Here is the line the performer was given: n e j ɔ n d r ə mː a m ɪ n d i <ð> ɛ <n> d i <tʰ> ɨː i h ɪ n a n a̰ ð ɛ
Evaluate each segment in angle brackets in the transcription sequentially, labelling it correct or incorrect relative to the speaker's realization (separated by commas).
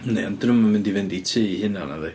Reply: incorrect, correct, correct